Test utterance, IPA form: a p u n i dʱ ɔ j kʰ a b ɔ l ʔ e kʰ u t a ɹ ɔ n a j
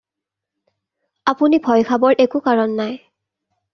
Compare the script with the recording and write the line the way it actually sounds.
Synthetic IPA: a p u n i bʱ ɔ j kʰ a b ɔ ɹ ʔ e k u k a ɹ ɔ nː a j

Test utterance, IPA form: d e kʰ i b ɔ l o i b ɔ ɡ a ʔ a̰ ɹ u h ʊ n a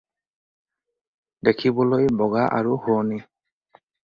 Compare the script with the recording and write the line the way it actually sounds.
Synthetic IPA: d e kʰ i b ɔ l o j b ɔ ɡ a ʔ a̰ ɹ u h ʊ n i

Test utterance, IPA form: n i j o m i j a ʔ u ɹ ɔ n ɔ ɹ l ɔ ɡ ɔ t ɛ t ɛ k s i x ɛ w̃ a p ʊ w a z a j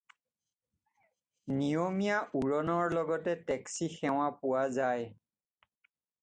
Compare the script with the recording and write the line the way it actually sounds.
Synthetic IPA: n i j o m i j a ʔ u ɹ ɔ n ɔ ɹ l ɔ ɡ ɔ t ɛ t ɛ k s i x ɛ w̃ a p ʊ w a z a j

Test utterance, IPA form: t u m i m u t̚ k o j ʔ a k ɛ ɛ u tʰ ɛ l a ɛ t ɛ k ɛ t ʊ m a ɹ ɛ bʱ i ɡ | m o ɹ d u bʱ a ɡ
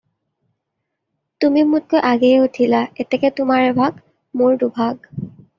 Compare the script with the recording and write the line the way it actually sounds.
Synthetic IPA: t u m i m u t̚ k o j ʔ a ɡ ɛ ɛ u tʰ i l a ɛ t ɛ k ɛ t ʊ m a ɹ ɛ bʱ a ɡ | m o ɹ d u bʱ a ɡ

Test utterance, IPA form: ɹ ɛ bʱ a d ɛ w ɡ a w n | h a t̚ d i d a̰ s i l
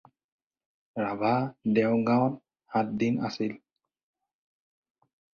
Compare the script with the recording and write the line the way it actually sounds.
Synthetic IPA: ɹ a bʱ a d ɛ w ɡ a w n | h a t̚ d i n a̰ s i l

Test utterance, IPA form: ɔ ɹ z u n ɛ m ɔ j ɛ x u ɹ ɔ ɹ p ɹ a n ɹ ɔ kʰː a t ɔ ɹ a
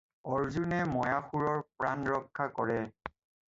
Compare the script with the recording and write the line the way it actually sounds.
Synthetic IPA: ɔ ɹ z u n ɛ m ɔ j a x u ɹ ɔ ɹ p ɹ a n ɹ ɔ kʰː a k ɔ ɹ ɛ

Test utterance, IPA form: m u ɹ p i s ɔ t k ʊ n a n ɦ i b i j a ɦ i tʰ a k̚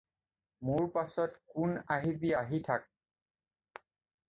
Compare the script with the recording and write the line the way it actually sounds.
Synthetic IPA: m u ɹ p a s ɔ t k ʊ n a ɦ i b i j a ɦ i tʰ a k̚

